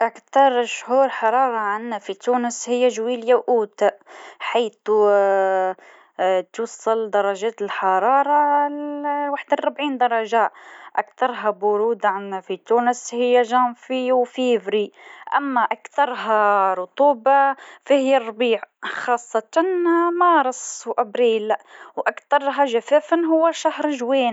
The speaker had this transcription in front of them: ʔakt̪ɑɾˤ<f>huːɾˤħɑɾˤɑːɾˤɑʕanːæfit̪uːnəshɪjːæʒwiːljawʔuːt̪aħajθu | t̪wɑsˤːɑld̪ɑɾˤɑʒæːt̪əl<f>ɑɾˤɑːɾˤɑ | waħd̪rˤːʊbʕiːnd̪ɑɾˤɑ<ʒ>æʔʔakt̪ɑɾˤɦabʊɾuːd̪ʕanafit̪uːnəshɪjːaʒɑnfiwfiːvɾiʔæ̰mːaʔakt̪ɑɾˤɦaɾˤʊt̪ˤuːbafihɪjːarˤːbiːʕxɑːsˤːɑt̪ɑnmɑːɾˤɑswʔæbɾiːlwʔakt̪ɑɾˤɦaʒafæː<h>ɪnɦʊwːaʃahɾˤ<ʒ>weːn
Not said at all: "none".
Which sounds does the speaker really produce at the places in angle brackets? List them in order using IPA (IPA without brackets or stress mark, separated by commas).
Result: ʃ, ħ, ʒ, f, ʒ